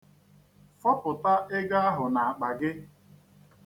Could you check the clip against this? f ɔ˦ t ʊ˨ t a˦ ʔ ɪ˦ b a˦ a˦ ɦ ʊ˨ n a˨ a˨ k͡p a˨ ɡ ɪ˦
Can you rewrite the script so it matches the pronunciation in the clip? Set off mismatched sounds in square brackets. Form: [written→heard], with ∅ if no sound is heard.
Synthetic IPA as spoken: f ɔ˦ [t→p] ʊ˨ t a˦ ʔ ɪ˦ [b→ɡ] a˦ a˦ ɦ ʊ˨ n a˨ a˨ k͡p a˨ ɡ ɪ˦

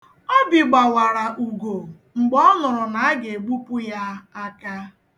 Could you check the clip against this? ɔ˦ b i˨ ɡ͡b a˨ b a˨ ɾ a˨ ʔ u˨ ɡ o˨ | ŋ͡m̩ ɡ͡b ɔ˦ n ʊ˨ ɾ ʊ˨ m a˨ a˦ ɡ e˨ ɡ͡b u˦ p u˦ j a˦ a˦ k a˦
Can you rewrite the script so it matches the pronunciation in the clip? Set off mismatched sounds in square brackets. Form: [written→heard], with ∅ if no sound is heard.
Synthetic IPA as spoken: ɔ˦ b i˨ ɡ͡b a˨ [b→w] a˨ ɾ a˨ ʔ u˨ ɡ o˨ | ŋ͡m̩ ɡ͡b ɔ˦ n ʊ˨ ɾ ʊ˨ [m→n] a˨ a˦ ɡ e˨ ɡ͡b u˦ p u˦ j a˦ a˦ k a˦

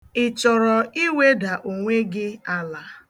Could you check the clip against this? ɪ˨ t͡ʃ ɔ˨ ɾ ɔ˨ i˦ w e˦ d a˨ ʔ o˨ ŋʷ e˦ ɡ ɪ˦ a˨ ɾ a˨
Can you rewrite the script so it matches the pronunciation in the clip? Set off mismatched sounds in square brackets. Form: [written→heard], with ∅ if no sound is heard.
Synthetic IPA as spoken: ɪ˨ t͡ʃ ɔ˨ ɾ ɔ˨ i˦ w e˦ d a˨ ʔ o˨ ŋʷ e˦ ɡ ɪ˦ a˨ [ɾ→l] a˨

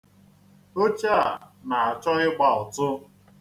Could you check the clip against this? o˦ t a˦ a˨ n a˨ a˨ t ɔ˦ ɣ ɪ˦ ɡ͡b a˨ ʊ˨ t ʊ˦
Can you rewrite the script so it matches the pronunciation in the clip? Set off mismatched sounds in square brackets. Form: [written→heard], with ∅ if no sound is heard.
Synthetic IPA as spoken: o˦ [t→t͡ʃ] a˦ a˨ n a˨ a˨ [t→t͡ʃ] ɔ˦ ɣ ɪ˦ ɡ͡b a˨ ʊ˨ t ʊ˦

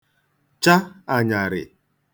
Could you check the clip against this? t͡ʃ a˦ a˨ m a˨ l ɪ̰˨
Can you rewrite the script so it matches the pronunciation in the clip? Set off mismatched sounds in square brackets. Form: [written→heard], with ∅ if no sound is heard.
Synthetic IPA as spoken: t͡ʃ a˦ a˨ [m→ɲ] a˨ [l→ɾ] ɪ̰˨

